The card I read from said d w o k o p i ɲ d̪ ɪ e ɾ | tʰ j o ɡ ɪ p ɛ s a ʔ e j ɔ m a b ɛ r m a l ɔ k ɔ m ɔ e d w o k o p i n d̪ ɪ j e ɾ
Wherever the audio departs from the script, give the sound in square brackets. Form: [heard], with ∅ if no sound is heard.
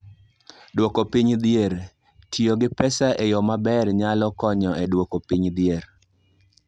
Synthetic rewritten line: d w o k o p i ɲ d̪ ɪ e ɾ | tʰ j o ɡ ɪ p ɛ s a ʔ e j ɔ m a b ɛ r [ɲ] a l ɔ k ɔ [ɲ] ɔ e d w o k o p i [ɲ] d̪ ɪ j e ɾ